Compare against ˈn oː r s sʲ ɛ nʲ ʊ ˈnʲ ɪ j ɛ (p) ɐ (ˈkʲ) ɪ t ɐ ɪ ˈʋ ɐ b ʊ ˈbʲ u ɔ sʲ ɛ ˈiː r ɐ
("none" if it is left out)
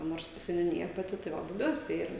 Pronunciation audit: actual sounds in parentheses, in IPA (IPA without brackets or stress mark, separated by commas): p, tʲ